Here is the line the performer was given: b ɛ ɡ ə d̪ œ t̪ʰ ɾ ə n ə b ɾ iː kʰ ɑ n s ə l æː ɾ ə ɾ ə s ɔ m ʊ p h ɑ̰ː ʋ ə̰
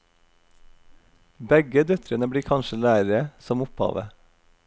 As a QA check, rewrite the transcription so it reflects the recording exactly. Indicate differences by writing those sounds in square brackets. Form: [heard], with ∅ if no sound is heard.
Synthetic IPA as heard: b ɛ ɡ ə d̪ œ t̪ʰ ɾ ə n ə b [ɽ] iː kʰ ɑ n [ʃ] ə l æː ɾ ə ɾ ə s ɔ m ʊ p h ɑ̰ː ʋ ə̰